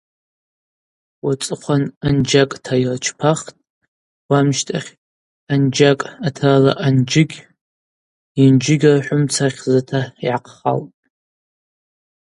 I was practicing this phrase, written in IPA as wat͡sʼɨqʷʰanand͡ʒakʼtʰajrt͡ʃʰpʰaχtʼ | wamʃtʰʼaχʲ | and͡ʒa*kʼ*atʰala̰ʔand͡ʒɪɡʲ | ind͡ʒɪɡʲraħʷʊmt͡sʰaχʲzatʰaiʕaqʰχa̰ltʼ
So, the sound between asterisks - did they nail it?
yes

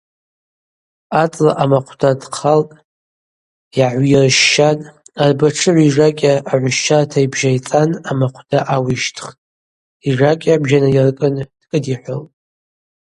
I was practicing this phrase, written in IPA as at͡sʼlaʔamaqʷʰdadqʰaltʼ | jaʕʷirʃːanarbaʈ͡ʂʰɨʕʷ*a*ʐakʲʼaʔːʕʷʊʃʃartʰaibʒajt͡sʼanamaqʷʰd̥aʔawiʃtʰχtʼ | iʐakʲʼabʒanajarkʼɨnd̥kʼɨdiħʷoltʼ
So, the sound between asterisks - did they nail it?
no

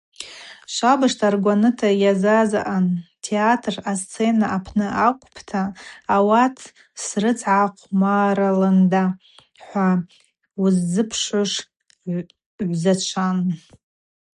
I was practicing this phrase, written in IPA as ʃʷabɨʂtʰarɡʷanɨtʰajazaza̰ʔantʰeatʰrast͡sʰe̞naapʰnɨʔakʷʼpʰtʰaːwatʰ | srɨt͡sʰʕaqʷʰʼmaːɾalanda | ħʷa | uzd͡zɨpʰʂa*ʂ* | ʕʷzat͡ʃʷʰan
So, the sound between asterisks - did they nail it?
yes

